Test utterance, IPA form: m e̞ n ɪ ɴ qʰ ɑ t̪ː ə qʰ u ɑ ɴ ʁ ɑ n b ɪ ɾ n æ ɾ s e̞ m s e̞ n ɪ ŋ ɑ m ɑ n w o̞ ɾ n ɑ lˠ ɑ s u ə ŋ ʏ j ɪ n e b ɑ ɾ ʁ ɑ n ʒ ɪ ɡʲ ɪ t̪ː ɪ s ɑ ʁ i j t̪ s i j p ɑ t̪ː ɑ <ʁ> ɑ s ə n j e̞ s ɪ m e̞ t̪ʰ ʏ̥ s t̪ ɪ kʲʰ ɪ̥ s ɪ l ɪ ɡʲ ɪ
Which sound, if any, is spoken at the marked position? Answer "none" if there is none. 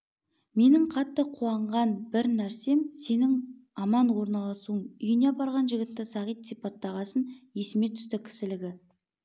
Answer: ʁ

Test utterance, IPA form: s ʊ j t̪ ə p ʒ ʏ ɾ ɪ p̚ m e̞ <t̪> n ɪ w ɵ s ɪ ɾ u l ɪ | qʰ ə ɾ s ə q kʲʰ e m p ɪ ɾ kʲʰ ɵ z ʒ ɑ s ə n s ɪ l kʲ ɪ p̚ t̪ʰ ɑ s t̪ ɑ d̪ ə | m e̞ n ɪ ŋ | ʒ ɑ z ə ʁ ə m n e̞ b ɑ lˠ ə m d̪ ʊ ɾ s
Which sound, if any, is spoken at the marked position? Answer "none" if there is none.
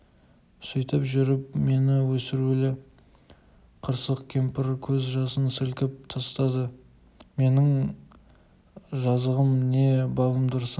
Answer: none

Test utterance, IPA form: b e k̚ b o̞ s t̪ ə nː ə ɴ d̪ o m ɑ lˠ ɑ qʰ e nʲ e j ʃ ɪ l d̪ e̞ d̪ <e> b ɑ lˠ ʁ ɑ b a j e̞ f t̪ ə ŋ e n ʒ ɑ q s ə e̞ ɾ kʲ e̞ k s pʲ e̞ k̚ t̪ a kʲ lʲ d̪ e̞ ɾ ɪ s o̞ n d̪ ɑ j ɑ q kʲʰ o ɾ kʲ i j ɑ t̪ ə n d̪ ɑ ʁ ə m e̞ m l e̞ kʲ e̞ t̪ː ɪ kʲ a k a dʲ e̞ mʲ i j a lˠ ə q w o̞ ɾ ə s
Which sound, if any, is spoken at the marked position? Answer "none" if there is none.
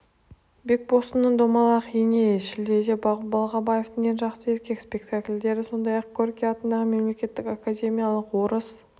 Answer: e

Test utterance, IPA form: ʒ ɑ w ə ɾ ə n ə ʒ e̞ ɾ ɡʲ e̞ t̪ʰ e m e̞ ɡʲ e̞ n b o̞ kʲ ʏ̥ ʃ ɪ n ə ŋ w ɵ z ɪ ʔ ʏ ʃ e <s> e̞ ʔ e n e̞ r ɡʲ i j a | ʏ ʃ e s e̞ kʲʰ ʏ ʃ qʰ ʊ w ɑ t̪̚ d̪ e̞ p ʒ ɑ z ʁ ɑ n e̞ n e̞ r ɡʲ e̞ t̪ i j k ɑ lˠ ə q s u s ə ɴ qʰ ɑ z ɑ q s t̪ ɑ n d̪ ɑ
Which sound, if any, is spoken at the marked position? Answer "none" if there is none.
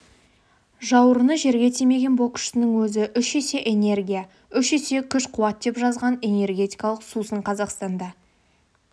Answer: s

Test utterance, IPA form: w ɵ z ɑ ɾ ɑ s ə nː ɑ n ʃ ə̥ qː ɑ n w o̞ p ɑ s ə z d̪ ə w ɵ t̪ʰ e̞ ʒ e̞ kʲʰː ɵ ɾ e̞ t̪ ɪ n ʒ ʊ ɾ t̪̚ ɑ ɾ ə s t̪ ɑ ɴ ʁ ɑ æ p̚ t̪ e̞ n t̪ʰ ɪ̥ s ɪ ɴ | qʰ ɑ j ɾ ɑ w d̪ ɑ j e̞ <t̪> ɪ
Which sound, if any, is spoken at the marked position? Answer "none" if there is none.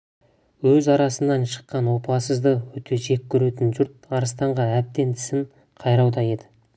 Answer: d̪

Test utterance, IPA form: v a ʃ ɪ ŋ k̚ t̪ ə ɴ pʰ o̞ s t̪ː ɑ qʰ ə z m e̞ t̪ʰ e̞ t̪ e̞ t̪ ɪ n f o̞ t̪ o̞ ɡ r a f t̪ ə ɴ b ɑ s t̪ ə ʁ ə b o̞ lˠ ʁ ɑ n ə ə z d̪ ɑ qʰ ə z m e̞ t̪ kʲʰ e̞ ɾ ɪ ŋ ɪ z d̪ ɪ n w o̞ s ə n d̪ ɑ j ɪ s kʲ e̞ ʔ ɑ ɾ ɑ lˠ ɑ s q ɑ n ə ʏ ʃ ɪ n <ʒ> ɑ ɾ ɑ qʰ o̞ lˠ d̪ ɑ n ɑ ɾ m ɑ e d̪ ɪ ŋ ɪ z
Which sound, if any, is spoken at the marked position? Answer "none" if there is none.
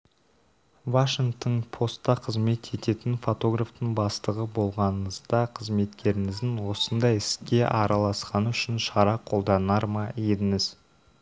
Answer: ʃ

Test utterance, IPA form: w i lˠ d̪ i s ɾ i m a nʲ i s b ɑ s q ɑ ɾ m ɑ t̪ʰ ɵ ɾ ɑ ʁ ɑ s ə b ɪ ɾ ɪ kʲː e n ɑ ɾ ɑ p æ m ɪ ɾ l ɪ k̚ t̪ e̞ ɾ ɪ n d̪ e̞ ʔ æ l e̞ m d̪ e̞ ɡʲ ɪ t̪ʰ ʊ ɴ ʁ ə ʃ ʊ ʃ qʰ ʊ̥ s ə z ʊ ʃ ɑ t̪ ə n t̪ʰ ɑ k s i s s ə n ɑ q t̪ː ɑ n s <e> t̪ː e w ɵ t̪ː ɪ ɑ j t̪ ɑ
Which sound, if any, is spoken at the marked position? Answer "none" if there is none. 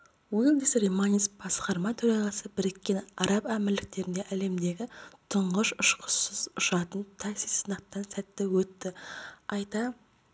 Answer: æ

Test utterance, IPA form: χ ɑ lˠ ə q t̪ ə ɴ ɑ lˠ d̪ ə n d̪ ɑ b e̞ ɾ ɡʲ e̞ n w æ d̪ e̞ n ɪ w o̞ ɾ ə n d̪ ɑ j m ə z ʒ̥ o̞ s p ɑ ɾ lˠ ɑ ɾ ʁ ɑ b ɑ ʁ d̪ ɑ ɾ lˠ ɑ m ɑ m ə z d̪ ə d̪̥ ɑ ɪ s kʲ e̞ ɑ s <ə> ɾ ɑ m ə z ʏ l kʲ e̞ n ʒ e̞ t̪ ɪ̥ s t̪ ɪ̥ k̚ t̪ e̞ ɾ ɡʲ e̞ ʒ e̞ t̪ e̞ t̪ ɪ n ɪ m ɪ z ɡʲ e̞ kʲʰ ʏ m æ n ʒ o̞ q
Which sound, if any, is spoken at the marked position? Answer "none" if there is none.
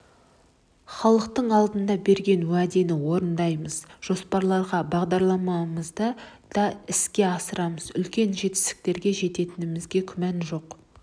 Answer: ə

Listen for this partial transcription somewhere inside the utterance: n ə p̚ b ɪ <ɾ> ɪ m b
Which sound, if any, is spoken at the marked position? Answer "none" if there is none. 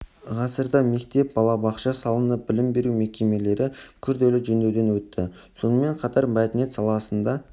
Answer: l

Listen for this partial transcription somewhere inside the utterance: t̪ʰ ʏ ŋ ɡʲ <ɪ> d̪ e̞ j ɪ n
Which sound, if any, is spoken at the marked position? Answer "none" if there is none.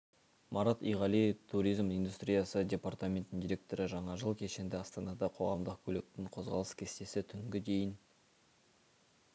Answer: ɪ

